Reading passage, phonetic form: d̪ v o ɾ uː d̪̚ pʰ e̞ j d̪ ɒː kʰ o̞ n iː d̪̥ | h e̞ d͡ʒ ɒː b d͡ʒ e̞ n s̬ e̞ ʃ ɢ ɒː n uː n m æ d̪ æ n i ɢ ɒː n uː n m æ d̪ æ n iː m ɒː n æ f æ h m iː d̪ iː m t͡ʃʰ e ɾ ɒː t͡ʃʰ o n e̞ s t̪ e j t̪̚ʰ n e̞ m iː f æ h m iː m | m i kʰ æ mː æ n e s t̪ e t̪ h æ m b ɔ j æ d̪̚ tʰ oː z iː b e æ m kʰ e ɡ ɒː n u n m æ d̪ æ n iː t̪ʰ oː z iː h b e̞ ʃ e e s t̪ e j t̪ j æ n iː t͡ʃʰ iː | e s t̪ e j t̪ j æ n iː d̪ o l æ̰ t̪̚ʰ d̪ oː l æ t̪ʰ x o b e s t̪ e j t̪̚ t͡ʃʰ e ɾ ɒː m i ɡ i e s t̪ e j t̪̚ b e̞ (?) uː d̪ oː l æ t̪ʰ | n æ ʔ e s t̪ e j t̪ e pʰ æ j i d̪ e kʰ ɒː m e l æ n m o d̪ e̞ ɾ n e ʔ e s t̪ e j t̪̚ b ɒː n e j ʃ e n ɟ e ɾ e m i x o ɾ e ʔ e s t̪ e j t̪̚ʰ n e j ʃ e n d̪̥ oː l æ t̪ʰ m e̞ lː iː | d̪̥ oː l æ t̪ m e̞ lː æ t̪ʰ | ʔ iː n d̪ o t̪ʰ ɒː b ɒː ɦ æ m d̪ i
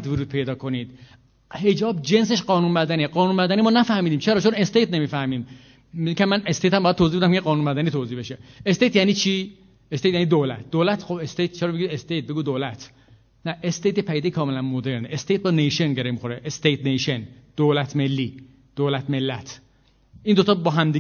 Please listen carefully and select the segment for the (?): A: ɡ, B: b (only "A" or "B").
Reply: A